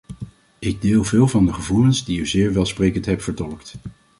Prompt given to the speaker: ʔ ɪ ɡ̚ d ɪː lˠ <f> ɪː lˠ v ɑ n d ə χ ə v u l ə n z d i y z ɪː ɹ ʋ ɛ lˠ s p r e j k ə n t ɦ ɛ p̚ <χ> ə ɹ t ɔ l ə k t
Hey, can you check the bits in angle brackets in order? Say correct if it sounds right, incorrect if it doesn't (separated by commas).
incorrect, incorrect